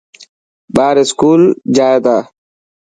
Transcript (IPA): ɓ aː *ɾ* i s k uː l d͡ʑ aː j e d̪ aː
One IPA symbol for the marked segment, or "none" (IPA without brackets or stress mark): ɾ